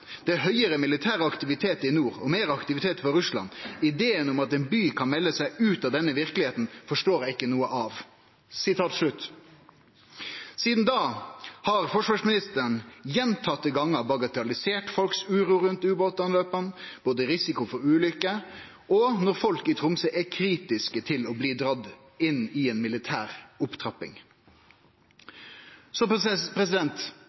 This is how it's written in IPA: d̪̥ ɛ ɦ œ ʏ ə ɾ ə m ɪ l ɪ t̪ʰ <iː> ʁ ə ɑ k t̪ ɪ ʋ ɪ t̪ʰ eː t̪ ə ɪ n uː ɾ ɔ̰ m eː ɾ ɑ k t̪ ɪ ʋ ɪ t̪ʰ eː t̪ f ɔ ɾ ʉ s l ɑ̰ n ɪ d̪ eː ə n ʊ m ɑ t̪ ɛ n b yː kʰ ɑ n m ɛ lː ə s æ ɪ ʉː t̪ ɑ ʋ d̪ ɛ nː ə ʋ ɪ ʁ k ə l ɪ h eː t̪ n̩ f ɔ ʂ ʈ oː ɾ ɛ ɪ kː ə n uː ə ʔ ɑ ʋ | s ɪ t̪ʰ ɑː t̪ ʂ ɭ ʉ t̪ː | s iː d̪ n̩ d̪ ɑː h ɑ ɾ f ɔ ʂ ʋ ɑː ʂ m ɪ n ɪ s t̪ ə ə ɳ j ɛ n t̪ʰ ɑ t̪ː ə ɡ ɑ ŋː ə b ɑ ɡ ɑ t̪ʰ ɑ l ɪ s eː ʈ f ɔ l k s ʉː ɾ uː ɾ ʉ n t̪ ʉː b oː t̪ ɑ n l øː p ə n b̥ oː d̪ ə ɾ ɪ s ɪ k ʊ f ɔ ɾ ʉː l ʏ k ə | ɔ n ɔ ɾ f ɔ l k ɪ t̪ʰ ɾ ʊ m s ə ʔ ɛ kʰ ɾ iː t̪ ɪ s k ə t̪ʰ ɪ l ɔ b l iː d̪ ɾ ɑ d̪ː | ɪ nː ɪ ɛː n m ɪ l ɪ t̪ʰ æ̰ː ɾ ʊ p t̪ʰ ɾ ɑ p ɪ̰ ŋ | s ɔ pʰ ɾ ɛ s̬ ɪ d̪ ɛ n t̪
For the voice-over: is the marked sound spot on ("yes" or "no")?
no